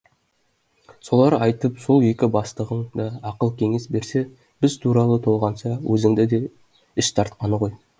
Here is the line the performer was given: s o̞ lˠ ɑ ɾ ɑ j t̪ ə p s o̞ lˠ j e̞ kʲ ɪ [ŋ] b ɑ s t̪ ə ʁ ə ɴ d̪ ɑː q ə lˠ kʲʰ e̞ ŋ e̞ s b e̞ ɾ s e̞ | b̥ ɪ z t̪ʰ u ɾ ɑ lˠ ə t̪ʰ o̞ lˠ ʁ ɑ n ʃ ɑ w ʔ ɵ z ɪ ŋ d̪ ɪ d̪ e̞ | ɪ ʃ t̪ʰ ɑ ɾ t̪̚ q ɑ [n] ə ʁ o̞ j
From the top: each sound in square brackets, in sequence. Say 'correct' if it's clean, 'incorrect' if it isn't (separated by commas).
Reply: incorrect, correct